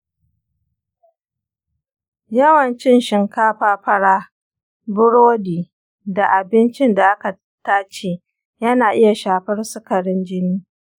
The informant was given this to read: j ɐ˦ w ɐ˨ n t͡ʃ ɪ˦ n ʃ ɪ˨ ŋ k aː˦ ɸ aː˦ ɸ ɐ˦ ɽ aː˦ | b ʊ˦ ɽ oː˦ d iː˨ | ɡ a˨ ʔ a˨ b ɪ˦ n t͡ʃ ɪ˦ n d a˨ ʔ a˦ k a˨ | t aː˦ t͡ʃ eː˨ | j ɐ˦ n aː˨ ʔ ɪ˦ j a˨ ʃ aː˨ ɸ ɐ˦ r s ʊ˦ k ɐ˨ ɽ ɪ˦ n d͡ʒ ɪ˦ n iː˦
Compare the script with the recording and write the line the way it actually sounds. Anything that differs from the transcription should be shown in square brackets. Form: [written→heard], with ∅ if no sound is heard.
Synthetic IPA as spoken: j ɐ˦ w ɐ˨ n t͡ʃ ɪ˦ n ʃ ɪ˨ ŋ k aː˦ ɸ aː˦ ɸ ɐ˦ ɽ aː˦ | b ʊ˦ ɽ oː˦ d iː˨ | [ɡ→d] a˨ ʔ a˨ b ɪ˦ n t͡ʃ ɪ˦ n d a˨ ʔ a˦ k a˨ | t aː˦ t͡ʃ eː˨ | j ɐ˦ n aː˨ ʔ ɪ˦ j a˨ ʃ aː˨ ɸ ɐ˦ r s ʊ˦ k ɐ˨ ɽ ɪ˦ n d͡ʒ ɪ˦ n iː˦